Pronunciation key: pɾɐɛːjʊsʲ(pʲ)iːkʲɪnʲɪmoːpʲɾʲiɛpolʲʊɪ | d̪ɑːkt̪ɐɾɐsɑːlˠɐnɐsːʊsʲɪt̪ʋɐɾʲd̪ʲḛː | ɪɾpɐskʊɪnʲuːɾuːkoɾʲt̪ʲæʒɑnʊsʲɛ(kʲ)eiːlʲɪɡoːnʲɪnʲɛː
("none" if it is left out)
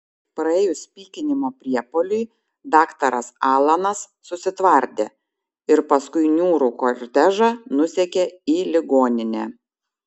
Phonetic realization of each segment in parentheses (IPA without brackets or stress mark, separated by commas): pʲ, kʲ